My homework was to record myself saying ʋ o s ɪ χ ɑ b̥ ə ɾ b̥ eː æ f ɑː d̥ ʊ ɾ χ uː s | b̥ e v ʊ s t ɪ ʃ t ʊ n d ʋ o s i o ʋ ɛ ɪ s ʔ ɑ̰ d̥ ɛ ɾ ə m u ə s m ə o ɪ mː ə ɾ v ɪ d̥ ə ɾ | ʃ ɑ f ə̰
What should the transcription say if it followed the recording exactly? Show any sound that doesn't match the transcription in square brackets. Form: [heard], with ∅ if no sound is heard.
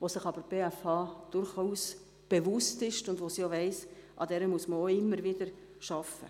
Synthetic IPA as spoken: ʋ o s ɪ χ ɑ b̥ ə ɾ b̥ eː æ f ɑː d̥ ʊ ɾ χ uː s | b̥ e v ʊ s t ɪ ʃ t ʊ n d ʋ o s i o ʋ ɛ ɪ s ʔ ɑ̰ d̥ ɛ ɾ ə m u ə s m ə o ɪ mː ə ɾ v ɪ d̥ ə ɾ | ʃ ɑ f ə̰